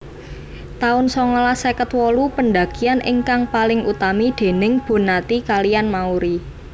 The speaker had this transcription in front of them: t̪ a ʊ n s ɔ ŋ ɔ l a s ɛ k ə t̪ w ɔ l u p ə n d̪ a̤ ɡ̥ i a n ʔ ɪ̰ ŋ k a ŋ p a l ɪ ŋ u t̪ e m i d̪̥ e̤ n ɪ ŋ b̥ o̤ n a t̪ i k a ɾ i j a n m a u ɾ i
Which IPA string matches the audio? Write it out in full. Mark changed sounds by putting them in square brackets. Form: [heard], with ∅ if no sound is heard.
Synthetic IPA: t̪ a ʊ n s ɔ ŋ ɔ l a s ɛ k ə t̪ w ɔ l u p ə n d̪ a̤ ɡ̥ i a n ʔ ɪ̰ ŋ k a ŋ p a l ɪ ŋ u t̪ [a] m i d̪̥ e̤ n ɪ ŋ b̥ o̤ n a t̪ i k a [l] i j a n m a u ɾ i

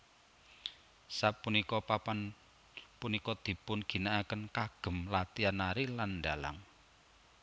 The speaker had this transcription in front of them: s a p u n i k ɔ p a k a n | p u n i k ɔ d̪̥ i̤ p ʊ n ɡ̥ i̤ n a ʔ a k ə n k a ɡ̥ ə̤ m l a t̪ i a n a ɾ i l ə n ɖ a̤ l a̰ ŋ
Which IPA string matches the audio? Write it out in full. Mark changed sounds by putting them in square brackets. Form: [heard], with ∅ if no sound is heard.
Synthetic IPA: s a p u n i k ɔ p a [p] a n | p u n i k ɔ d̪̥ i̤ p ʊ n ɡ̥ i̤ n a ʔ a k ə n k a ɡ̥ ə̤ m l a t̪ i a n a ɾ i l [a] n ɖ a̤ l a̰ ŋ

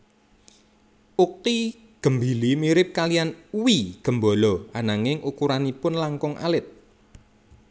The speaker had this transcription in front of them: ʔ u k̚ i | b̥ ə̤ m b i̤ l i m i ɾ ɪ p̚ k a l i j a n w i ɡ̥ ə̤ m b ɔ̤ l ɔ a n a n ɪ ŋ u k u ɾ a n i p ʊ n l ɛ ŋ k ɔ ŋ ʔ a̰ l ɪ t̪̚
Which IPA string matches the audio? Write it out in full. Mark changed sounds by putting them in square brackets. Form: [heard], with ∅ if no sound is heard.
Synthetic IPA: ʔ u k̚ i | [ɡ̥] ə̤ m b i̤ l i m i ɾ ɪ p̚ k a l i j a n w i ɡ̥ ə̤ m b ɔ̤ l ɔ a n a [ŋ] ɪ ŋ u k u ɾ a n i p ʊ n l [a] ŋ k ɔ ŋ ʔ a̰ l ɪ t̪̚

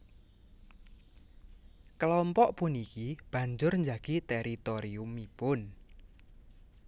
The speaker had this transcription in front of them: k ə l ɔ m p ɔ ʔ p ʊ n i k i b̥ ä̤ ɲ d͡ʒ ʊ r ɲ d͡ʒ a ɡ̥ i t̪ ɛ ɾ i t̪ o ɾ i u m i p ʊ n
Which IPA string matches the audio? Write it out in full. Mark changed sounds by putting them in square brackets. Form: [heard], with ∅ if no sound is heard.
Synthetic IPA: k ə l ɔ m p ɔ ʔ p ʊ n i k i b̥ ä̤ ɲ d͡ʒ ʊ r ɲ d͡ʒ a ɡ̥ i t̪ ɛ ɾ i t̪ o ɾ i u m i p ʊ n

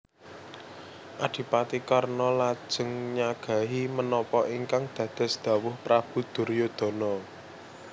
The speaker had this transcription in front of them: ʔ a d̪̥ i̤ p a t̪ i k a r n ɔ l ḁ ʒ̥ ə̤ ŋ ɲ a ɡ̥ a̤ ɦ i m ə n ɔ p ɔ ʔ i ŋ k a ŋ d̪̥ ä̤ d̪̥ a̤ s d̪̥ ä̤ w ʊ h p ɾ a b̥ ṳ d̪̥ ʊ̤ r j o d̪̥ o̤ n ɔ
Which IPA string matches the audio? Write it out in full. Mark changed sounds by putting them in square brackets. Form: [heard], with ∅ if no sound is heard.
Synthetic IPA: ʔ a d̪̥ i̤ p a t̪ i k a r n ɔ l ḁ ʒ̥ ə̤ ŋ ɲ a ɡ̥ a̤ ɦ i m ə n ɔ p ɔ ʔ i ŋ k a ŋ d̪̥ ä̤ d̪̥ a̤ s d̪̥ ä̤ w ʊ h p ɾ a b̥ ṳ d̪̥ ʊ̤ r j o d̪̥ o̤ n ɔ

